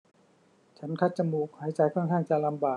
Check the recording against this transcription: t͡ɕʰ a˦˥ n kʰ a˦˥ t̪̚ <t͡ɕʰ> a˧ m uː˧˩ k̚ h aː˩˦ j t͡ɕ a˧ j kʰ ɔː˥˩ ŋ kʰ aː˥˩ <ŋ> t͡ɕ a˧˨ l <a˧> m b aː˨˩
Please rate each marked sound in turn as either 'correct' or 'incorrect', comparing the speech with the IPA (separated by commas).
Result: incorrect, correct, correct